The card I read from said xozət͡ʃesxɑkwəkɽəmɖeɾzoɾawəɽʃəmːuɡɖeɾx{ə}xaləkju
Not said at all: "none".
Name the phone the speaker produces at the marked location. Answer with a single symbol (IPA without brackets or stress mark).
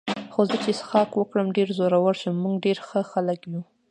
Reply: ə